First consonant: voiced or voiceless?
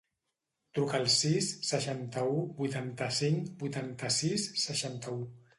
voiceless